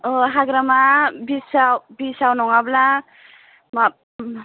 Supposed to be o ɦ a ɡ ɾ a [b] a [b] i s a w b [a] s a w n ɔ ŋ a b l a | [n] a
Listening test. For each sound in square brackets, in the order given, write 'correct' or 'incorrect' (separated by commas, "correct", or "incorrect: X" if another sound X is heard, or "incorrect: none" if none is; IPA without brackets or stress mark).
incorrect: m, correct, incorrect: i, incorrect: m